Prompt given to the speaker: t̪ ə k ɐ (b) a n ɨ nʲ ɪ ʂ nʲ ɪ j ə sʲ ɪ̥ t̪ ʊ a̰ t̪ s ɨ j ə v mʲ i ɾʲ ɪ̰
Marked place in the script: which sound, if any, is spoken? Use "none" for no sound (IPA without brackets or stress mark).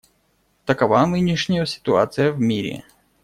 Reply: v